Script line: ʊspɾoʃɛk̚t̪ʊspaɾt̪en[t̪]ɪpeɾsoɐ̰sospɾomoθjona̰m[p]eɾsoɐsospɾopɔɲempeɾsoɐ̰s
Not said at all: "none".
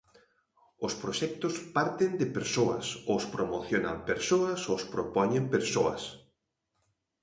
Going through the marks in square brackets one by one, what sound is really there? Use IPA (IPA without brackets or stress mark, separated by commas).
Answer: d̪, p